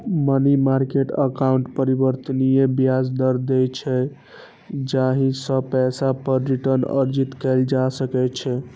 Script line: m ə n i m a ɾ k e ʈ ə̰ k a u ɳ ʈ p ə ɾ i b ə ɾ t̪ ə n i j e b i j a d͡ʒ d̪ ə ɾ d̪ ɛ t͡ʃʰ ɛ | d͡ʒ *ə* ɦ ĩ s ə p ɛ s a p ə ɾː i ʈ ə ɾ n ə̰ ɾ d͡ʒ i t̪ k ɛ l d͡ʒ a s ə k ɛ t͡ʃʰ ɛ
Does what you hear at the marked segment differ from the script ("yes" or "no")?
yes